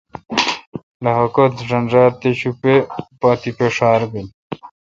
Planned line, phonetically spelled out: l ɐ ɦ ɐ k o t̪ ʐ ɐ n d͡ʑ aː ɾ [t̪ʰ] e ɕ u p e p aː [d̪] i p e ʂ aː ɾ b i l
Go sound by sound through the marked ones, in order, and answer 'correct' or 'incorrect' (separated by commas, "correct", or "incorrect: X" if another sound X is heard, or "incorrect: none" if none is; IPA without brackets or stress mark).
incorrect: t̪, incorrect: t̪